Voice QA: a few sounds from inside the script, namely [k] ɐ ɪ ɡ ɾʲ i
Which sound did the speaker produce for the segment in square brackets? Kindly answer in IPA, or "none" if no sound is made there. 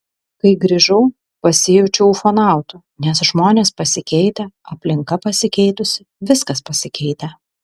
k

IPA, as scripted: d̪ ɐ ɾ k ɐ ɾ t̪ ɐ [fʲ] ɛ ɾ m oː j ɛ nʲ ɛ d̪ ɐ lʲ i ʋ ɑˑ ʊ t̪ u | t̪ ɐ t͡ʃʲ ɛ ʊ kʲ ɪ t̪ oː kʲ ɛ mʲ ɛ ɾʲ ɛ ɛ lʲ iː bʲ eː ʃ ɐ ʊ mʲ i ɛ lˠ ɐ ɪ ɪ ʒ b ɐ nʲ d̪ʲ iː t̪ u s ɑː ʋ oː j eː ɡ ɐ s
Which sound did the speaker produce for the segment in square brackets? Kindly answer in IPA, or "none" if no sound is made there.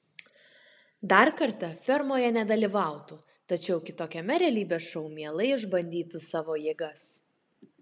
fʲ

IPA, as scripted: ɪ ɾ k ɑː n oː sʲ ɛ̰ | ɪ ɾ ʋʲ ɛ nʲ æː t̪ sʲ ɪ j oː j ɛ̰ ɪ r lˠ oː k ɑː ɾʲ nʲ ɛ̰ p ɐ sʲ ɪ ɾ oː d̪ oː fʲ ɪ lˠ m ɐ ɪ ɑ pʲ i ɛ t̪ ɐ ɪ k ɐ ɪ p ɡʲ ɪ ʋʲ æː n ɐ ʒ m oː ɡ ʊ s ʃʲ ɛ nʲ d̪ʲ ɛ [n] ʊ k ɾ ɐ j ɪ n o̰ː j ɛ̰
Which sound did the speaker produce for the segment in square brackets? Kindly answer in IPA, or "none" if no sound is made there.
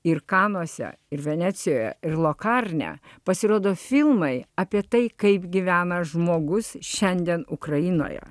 n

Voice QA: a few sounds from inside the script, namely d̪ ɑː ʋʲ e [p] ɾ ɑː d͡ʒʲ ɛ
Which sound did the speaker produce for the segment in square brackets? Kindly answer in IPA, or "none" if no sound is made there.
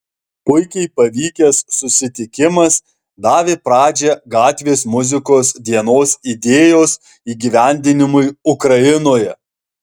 p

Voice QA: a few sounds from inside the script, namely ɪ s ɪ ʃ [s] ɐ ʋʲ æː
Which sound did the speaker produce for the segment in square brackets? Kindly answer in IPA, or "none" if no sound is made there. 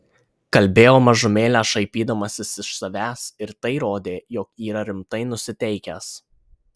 s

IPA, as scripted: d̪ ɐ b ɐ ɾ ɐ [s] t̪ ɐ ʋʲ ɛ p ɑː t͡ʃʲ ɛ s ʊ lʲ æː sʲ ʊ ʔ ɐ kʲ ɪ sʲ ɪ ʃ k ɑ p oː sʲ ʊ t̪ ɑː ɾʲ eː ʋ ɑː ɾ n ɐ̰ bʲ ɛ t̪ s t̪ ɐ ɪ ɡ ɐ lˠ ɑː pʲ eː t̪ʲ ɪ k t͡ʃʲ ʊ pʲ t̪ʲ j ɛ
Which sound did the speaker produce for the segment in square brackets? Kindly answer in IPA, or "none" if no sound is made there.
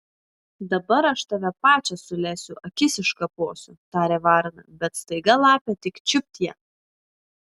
ʃ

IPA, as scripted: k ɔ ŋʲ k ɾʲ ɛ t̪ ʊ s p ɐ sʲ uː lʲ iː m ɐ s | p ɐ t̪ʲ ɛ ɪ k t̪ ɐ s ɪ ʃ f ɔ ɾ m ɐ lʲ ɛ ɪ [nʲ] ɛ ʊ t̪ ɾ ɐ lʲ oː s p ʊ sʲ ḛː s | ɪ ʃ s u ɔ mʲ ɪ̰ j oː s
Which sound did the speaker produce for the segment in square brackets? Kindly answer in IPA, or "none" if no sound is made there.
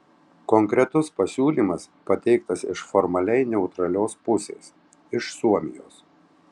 nʲ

